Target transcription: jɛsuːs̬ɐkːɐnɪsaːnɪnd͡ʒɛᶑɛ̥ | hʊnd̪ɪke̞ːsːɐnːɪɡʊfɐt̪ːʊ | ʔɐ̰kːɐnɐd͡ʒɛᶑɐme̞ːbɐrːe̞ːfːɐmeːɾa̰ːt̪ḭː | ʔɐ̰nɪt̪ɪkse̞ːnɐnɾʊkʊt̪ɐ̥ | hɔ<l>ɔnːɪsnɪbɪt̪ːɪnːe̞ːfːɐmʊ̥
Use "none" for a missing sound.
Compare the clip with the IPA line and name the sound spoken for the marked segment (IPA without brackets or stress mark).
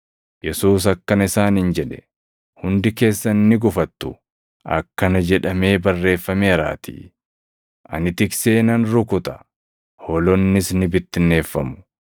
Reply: l